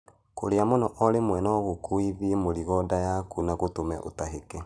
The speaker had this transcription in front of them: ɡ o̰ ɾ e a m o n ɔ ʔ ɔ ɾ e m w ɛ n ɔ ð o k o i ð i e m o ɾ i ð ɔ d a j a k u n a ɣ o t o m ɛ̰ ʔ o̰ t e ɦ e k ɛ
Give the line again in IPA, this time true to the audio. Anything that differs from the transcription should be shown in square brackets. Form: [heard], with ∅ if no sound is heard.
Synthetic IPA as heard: [k] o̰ ɾ e a m o n ɔ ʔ ɔ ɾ e m w ɛ n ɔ [ɣ] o k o i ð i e m o ɾ i [ɣ] ɔ d a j a k u n a ɣ o t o m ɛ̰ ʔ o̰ t [a] ɦ e k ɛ